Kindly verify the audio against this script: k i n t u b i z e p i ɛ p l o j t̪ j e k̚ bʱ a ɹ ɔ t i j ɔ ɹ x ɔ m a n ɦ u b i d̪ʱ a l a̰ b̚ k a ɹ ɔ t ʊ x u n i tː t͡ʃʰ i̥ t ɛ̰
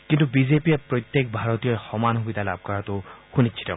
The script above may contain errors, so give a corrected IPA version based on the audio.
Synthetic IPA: k i n t u b i z e p i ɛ p ɹ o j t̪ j e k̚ bʱ a ɹ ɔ t i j ɔ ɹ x ɔ m a n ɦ u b i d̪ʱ a l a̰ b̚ k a ɹ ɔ t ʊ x u n i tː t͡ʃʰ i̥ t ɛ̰